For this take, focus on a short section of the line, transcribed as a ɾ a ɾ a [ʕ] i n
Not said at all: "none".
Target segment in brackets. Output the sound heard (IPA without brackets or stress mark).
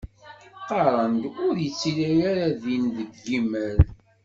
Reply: ð